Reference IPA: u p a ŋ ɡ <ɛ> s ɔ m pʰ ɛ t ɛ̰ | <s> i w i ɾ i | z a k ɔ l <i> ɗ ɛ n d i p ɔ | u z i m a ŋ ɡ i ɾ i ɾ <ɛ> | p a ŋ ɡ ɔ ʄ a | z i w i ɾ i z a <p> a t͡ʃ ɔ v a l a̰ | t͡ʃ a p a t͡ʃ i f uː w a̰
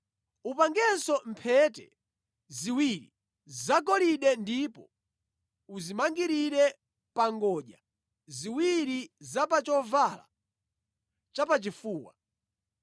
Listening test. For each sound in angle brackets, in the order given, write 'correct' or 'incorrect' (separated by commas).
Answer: correct, incorrect, correct, correct, correct